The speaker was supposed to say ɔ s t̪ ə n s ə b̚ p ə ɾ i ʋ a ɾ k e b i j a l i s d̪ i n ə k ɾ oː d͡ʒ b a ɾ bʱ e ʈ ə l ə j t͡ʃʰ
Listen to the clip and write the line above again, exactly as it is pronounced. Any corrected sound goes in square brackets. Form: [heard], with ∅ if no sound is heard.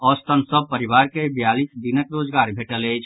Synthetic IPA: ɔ s t̪ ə n s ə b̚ p ə ɾ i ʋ a ɾ k e b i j a l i s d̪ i n ə k ɾ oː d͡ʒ [ɡ] a ɾ bʱ e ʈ ə l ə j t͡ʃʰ